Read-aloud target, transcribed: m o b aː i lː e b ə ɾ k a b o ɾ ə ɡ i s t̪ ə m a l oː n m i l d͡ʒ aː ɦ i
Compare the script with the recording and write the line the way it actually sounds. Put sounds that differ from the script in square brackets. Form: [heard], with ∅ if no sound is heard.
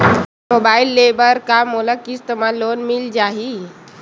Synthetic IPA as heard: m o b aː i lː e b ə ɾ k a [m] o [l] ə [k] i s t̪ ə m a l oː n m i l d͡ʒ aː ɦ i

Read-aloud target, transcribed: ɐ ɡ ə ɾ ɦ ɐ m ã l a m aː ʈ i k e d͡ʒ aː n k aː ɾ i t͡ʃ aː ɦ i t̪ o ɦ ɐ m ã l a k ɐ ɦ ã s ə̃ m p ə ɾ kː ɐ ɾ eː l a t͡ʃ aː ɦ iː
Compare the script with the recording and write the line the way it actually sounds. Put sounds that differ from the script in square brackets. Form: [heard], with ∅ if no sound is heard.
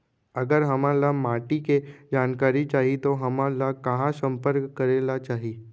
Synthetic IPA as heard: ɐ ɡ ə ɾ ɦ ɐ m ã l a m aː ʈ i k e d͡ʒ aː n k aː ɾ i t͡ʃ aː ɦ i t̪ o ɦ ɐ m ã l a k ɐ ɦ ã s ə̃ m p ə ɾ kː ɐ ɾ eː l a t͡ʃ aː ɦ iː

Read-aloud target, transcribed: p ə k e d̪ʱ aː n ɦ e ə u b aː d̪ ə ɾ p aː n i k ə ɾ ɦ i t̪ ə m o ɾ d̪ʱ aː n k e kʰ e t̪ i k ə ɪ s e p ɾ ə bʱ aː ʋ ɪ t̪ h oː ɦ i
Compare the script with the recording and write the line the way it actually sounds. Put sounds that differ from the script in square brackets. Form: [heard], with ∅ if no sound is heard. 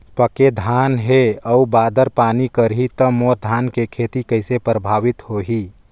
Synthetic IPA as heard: p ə k e d̪ʱ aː n ɦ e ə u b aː d̪ ə ɾ p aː n i k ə ɾ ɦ i t̪ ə m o ɾ d̪ʱ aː n k e kʰ e t̪ i k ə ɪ s e p ɾ ə bʱ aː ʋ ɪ t̪ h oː ɦ i

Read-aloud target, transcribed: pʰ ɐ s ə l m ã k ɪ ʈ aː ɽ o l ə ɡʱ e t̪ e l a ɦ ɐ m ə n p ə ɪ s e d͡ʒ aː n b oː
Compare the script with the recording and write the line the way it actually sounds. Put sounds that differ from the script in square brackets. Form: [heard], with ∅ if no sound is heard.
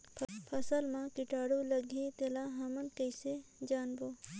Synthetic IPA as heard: pʰ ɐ s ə l m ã k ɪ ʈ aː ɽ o l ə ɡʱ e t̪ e l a ɦ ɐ m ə n [k] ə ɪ s e d͡ʒ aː n b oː

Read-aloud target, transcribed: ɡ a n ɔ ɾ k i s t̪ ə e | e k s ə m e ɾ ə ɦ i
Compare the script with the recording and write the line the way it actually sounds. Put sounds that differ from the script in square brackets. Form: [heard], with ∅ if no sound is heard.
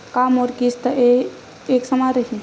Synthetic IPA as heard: [k] a [m] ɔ ɾ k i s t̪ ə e | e k s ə m [a] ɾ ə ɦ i

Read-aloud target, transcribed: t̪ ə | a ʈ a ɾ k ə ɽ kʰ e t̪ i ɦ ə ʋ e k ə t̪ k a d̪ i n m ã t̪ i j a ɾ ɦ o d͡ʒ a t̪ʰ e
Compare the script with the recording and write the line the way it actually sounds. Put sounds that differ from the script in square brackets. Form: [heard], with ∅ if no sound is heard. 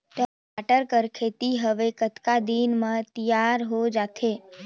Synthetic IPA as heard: t̪ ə | a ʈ [ə] ɾ k ə [ɾ] kʰ e t̪ i ɦ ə ʋ e k ə t̪ k a d̪ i n m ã t̪ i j a ɾ ɦ o d͡ʒ a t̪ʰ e

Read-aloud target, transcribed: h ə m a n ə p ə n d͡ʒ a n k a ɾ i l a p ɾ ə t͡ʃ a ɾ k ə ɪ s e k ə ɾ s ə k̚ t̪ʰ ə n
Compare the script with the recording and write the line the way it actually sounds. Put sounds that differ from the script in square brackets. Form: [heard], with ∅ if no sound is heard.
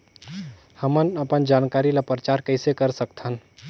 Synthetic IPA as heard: h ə m [ə] n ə p ə n d͡ʒ a n k a ɾ i l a p ɾ ə t͡ʃ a ɾ k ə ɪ s e k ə ɾ s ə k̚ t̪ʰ ə n

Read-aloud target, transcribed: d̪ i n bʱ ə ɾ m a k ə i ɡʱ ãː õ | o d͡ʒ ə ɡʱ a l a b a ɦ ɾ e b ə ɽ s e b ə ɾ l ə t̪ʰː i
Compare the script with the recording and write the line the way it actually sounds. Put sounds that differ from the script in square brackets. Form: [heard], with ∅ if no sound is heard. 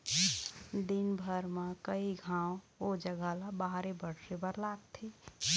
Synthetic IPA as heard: d̪ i n bʱ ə ɾ m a k ə i ɡʱ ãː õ | o d͡ʒ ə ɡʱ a l a b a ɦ ɾ e b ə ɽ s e b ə ɾ l [a] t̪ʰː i

